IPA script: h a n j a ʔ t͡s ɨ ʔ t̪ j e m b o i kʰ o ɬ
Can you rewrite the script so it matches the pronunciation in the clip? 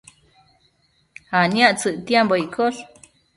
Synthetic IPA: h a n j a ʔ t͡s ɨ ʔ t̪ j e m b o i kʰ o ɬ